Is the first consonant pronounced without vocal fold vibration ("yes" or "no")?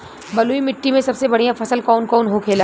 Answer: no